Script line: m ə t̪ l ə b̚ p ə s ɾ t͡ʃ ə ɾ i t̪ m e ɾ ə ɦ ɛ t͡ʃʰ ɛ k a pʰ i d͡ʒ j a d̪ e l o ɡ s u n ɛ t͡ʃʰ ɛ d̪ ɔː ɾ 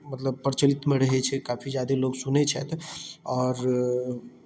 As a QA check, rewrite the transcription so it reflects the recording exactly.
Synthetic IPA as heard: m ə t̪ l ə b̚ p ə ɾ t͡ʃ ə l i t̪ m e ɾ ə ɦ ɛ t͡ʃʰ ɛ k a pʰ i d͡ʒ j a d̪ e l o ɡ s u n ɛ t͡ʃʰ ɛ t̪ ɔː ɾ